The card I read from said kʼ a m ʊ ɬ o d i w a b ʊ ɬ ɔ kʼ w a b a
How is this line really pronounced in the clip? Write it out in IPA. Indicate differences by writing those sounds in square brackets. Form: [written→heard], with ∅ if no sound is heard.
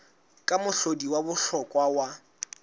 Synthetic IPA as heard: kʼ a m ʊ ɬ o d i w a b ʊ ɬ ɔ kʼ w a [b→w] a